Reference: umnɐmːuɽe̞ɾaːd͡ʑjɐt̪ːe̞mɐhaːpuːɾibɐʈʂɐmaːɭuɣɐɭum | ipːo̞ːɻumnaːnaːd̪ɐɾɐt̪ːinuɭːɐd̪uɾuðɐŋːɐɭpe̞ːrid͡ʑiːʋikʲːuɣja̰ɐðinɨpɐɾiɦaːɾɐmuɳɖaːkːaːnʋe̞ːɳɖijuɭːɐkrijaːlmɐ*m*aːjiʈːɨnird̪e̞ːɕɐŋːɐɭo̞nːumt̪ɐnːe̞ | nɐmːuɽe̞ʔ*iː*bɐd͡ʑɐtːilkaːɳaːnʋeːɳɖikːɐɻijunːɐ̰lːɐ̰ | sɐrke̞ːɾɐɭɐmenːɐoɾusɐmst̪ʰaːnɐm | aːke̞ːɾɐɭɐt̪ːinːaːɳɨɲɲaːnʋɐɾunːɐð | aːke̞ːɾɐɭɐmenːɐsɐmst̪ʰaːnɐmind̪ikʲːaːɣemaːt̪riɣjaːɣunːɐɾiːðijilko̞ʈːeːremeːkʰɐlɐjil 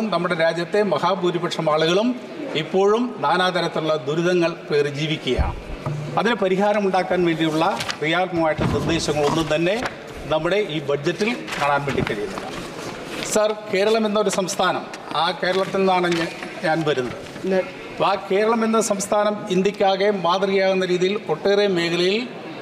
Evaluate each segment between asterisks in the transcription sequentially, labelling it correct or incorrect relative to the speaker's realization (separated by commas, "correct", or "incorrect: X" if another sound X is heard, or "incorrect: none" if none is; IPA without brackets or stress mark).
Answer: correct, correct